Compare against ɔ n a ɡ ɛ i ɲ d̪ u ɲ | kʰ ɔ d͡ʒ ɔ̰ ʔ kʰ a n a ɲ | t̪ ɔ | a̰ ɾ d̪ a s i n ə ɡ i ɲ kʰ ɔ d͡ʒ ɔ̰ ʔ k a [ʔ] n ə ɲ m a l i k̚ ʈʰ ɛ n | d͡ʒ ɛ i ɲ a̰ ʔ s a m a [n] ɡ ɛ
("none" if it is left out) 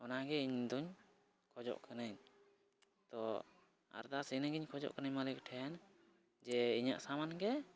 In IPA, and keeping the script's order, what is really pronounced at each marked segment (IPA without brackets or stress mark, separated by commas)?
none, n